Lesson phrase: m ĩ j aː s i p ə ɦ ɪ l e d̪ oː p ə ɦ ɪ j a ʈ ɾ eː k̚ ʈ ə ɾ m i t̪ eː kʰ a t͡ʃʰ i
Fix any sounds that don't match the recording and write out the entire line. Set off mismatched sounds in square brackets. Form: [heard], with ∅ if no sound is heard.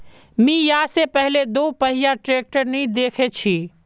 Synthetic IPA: m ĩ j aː s [e] p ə ɦ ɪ l e d̪ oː p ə ɦ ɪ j a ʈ ɾ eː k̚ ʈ ə ɾ [n] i [d̪] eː kʰ [e] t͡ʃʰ i